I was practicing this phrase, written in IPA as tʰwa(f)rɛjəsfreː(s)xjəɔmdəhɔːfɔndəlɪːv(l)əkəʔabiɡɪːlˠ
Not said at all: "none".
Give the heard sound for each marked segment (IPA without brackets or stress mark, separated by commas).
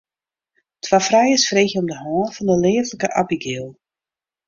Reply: f, none, l